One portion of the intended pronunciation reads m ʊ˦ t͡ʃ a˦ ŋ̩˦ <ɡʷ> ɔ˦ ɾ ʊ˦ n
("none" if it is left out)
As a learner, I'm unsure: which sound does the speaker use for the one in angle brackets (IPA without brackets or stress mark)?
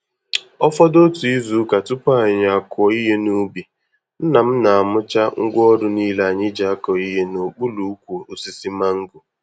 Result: ɡʷ